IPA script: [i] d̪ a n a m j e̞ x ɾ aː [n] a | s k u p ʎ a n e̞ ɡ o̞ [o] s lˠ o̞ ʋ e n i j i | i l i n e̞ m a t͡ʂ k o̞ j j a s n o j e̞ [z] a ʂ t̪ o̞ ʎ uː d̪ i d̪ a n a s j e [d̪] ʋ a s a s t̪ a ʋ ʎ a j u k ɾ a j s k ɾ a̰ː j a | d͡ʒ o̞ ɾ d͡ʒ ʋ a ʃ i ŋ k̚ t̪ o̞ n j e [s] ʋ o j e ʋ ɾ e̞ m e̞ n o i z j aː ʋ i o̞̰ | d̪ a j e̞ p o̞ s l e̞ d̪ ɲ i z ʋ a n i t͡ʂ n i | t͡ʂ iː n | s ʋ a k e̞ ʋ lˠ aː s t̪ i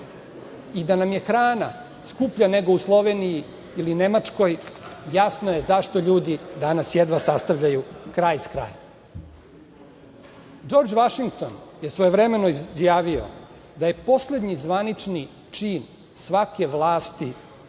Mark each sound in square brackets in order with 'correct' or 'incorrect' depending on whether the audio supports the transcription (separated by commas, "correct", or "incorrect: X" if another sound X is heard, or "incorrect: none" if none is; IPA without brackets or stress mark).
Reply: correct, correct, incorrect: u, correct, correct, correct